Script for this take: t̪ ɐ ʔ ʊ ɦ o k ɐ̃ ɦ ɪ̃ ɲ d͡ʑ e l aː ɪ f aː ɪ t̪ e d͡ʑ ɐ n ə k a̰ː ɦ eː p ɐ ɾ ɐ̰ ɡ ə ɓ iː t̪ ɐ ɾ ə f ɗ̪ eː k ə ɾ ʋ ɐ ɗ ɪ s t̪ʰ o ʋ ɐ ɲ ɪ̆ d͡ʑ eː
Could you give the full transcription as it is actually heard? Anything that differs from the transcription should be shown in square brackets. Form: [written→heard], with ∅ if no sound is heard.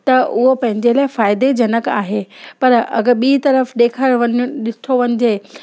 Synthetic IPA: t̪ ɐ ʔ ʊ ɦ o [k→p] ɐ̃ ɦ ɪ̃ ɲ d͡ʑ e l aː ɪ f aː ɪ [t̪→d̪] e d͡ʑ ɐ n ə k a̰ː ɦ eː p ɐ ɾ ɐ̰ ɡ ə ɓ iː t̪ ɐ ɾ ə f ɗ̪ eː [k→kʰ] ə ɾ ʋ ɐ ɗ ɪ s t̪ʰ o ʋ ɐ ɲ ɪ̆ d͡ʑ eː